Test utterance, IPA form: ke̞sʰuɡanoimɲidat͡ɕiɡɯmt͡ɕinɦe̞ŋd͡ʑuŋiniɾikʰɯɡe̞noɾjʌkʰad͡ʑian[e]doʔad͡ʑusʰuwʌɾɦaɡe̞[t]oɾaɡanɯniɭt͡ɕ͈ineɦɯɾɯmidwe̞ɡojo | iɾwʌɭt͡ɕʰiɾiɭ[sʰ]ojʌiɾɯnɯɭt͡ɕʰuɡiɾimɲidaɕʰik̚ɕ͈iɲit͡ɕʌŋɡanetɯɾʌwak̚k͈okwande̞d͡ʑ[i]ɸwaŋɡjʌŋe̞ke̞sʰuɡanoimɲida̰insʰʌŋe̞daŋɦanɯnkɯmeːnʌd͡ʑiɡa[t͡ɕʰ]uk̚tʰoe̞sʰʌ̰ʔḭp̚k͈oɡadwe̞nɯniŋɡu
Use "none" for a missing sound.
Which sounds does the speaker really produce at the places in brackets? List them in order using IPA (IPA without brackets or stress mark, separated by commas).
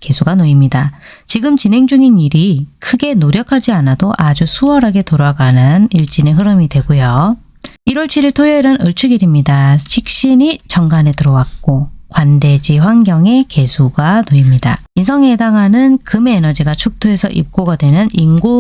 a, t, tʰ, i, t͡ɕʰ